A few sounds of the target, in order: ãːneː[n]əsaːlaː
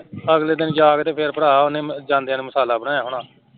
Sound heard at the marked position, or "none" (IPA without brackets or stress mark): m